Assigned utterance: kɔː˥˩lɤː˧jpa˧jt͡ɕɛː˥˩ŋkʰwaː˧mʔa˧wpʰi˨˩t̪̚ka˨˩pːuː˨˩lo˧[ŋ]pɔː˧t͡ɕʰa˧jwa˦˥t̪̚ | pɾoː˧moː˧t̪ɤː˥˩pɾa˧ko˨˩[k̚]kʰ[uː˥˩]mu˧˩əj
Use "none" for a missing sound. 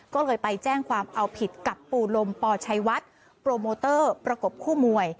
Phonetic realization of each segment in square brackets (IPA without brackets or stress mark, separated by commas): m, p̚, uː˥˩